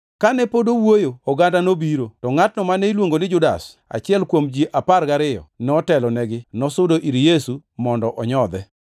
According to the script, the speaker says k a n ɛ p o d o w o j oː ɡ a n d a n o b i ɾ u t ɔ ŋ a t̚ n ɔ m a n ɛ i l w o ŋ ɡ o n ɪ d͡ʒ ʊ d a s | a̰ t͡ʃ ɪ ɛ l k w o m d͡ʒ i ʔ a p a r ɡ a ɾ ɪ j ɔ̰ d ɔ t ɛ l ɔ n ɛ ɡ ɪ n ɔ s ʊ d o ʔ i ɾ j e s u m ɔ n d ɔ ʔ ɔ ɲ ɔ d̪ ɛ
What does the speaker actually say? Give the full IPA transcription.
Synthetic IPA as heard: k a n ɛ p o d o w o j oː ɡ a n d a n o b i ɾ o t ɔ ŋ a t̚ n ɔ m a n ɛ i l w o ŋ ɡ o n ɪ d͡ʒ ʊ d a s | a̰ t͡ʃ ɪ ɛ l k w o m d͡ʒ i ʔ a p a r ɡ a ɾ ɪ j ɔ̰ n ɔ t ɛ l ɔ n ɛ ɡ ɪ n ɔ s ʊ d o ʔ i ɾ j e s u m ɔ n d ɔ ʔ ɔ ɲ ɔ d̪ ɛ

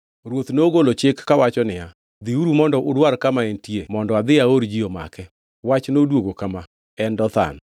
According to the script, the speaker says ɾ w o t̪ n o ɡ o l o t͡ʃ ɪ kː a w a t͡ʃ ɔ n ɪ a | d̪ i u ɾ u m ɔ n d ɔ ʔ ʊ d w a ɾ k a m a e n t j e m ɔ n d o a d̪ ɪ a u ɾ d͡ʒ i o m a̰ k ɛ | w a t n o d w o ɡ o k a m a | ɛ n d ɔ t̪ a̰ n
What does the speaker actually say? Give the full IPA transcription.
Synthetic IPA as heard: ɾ w o t̪ n o ɡ o l o t͡ʃ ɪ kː a w a t͡ʃ ɔ n ɪ a | d̪ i u ɾ u m ɔ n d ɔ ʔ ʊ d w a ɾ k a m a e n t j e m ɔ n d ɔ a d̪ ɪ a o ɾ d͡ʒ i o m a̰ k ɛ | w a t͡ʃ n o d w o ɡ o k a m a | ɛ n d ɔ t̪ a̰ n

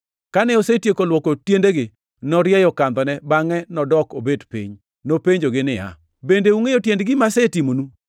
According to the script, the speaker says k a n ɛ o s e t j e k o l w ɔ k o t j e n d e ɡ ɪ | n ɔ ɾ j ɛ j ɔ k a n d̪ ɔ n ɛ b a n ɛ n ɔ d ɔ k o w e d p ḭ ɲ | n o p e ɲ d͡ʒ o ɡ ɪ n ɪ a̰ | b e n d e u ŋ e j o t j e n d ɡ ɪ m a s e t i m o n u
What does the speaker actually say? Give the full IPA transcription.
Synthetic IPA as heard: k a n ɛ o s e t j e k o l w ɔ k o t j e n d e ɡ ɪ | n ɔ ɾ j ɛ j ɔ k a n d̪ ɔ n ɛ b a ŋ ɛ n ɔ d ɔ k o b e d p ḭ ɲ | n o p e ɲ d͡ʒ o ɡ ɪ n ɪ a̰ | b e n d e u ŋ e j o t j e n d ɡ ɪ m a s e t i m o n u

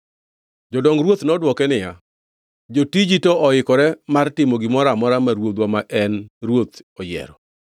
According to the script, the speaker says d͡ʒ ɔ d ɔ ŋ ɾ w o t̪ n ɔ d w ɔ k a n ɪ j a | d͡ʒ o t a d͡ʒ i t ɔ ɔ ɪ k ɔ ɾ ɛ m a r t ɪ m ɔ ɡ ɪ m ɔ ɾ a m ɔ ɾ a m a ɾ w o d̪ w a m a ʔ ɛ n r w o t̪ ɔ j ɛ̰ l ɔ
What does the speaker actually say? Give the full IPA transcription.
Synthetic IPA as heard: d͡ʒ ɔ d ɔ ŋ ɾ w o t̪ n ɔ d w ɔ k ɛ n ɪ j a | d͡ʒ o t i d͡ʒ i t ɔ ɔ ɪ k ɔ ɾ ɛ m a r t ɪ m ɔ ɡ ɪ m ɔ ɾ a m ɔ ɾ a m a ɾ w o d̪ w a m a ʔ ɛ n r w o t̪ ɔ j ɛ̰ ɾ ɔ

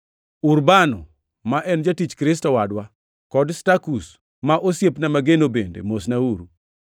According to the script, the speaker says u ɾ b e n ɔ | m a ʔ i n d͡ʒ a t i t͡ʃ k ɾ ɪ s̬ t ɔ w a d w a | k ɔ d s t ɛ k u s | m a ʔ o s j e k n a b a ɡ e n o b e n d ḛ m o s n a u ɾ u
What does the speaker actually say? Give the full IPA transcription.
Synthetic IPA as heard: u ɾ b a n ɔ | m a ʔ ɛ n d͡ʒ a t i t͡ʃ k ɾ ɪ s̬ t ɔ w a d w a | k ɔ d s t a k u s | m a ʔ o s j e p n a m a ɡ e n o b e n d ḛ m o s n a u ɾ u

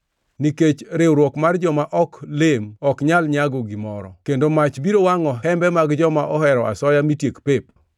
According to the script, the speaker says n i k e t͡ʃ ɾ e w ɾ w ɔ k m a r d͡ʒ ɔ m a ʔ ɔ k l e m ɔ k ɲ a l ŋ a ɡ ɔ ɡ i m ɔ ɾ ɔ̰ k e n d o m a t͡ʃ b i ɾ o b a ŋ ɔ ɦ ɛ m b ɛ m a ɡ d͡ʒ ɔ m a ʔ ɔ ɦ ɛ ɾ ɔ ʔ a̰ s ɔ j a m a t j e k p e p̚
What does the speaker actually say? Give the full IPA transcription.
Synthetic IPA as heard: n i k e t͡ʃ ɾ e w ɾ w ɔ k m a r d͡ʒ ɔ m a ʔ ɔ k l e m ɔ k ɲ a l ɲ a ɡ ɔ ɡ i m ɔ ɾ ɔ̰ k e n d o m a t͡ʃ b i ɾ o w a ŋ ɔ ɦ ɛ m b ɛ m a ɡ d͡ʒ ɔ m a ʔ ɔ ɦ ɛ ɾ ɔ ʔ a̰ s ɔ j a m i t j e k p e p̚

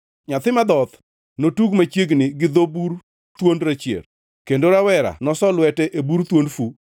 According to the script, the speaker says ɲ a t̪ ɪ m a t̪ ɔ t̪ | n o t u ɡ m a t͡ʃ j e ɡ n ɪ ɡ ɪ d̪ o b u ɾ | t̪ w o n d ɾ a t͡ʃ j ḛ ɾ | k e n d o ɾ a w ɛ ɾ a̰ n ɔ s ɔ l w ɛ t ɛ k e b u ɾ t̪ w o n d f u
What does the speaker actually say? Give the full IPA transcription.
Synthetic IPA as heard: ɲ a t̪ ɪ m a d̪ ɔ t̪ | n o t u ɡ m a t͡ʃ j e ɡ n ɪ ɡ ɪ d̪ o b u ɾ | t̪ w o n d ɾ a t͡ʃ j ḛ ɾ | k e n d o ɾ a w ɛ ɾ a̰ n ɔ s ɔ l w ɛ t ɛ ʔ e b u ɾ t̪ w o n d f u

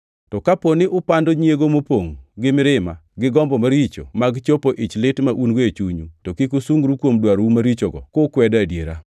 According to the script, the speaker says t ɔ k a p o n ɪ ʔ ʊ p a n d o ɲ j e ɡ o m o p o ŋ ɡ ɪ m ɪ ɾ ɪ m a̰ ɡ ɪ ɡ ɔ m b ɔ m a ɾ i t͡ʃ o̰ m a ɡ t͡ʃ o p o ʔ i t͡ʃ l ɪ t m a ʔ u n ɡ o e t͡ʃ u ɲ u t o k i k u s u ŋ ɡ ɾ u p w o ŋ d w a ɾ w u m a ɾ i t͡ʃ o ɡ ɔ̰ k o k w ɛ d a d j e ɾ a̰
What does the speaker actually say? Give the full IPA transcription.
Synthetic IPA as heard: t ɔ k a p o n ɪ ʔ ʊ p a n d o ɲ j e ɡ o m o p o ŋ ɡ ɪ m ɪ ɾ ɪ m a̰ ɡ ɪ ɡ ɔ m b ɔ m a ɾ i t͡ʃ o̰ m a ɡ t͡ʃ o p o ʔ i t͡ʃ l ɪ t m a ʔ u n ɡ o e t͡ʃ u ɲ u t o k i k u s u ŋ ɡ ɾ u k w o m d w a ɾ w u m a ɾ i t͡ʃ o ɡ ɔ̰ k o k w ɛ d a d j e ɾ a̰

